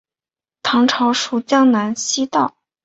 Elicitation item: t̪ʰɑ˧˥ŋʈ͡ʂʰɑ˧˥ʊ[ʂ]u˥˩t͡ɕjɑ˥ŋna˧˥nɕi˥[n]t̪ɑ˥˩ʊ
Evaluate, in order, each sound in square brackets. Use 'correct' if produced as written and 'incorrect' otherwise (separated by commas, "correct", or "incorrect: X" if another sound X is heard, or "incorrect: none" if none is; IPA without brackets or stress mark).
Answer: correct, incorrect: none